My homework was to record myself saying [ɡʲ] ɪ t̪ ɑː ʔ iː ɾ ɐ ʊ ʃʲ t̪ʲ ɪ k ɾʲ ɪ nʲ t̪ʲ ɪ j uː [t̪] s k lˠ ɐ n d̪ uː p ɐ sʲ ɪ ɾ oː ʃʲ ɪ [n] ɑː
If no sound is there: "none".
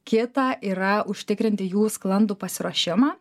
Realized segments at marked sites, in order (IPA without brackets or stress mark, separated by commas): kʲ, none, m